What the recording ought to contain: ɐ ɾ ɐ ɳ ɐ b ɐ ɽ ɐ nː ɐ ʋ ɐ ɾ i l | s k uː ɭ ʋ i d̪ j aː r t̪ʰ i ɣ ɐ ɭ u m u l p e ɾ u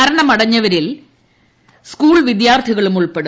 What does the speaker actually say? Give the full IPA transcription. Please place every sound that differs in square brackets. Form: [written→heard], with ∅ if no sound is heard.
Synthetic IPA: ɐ ɾ ɐ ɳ ɐ [b→m] ɐ ɽ ɐ [nː→ɲː] ɐ ʋ ɐ ɾ i l | s k uː ɭ ʋ i d̪ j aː r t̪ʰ i ɣ ɐ ɭ u m u [l→ɭ] p e [ɾ→ɽ] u